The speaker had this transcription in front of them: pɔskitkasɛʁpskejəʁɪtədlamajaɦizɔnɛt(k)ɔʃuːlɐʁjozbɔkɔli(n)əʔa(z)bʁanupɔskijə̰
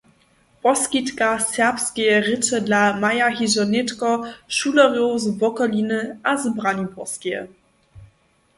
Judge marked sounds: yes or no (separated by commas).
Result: yes, yes, yes